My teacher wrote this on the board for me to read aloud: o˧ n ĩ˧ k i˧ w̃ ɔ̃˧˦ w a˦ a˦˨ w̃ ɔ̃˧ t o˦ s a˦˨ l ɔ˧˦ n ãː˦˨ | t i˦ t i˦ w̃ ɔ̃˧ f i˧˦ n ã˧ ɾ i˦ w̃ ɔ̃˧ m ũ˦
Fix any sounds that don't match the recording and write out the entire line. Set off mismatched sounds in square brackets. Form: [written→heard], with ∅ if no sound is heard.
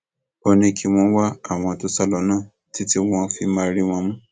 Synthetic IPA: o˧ n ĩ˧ k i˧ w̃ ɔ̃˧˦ w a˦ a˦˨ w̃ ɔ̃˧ t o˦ s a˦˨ l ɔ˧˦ n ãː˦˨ | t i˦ t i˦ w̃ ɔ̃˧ f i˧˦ [n→m] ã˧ ɾ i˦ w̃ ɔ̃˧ m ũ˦